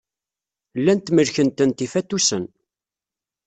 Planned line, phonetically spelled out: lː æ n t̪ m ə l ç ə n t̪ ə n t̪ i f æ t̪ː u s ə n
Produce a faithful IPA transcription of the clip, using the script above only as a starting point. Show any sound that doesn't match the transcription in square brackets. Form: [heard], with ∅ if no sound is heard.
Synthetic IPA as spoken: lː æ n t̪ m ə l ç ə n t̪ ə n t̪ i f æ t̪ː u s ə n